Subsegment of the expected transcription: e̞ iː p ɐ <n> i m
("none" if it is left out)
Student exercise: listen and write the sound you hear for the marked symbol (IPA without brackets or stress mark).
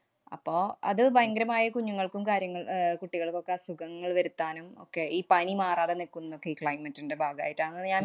n